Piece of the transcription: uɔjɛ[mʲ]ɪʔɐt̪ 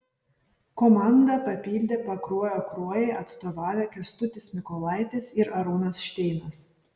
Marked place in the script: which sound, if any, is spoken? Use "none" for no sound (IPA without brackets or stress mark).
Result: none